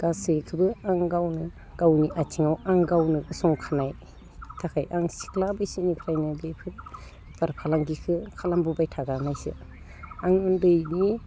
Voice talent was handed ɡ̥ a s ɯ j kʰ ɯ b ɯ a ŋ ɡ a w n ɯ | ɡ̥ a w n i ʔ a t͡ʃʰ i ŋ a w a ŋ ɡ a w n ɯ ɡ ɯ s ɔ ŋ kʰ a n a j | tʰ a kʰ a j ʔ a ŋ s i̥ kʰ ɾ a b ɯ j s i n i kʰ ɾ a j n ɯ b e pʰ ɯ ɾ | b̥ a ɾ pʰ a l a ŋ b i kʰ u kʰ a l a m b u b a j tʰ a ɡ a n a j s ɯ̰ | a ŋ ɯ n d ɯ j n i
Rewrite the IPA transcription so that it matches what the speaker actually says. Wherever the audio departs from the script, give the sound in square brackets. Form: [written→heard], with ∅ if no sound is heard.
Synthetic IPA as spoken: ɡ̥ a s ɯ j kʰ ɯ b ɯ a ŋ ɡ a w n ɯ | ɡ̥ a w n i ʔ a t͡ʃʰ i ŋ a w a ŋ ɡ a w n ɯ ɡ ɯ s ɔ ŋ kʰ a n a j | tʰ a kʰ a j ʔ a ŋ s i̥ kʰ [ɾ→l] a b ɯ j s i n i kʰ ɾ a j n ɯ b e pʰ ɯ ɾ | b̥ a ɾ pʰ a l a ŋ [b→ɡ] i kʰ [u→ɯ] kʰ a l a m b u b a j tʰ a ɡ a n a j s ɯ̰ | a ŋ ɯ n d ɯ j n i